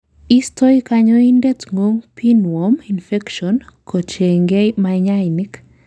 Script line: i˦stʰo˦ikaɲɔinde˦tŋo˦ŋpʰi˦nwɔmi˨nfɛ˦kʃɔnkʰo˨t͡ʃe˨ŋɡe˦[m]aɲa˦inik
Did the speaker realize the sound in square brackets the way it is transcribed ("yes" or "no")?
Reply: yes